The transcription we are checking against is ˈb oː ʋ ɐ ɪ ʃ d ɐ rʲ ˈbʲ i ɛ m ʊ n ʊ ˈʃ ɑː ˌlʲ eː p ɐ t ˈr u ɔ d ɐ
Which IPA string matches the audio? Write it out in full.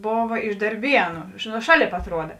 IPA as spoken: ˈb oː ʋ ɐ ɪ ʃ d ɐ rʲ ˈbʲ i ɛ n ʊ n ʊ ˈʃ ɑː ˌlʲ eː p ɐ t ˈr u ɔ d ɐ